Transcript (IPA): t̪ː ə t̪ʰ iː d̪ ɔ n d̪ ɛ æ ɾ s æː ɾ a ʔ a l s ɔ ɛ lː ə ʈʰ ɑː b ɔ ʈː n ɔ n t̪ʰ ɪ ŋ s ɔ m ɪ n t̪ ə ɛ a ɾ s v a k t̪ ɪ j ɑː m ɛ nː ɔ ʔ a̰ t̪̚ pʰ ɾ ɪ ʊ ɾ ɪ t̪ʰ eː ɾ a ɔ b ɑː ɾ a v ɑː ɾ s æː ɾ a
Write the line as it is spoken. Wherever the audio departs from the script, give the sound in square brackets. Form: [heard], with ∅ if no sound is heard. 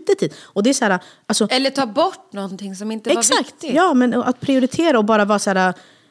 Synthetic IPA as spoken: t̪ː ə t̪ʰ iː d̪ ɔ [∅] d̪ ɛ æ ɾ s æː ɾ a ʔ a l s ɔ ɛ lː ə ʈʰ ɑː b ɔ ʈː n ɔ n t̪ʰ ɪ ŋ s ɔ m ɪ n t̪ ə ɛ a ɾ s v a k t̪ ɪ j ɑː m ɛ [n] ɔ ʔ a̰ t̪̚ pʰ ɾ ɪ ʊ ɾ ɪ t̪ʰ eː ɾ a ɔ b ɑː ɾ a v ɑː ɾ s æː ɾ a